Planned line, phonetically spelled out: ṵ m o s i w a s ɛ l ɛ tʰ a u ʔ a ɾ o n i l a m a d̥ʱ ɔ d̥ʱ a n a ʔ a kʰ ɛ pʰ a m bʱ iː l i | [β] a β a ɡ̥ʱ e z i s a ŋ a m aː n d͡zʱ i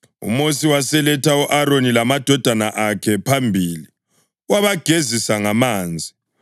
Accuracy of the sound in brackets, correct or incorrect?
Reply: incorrect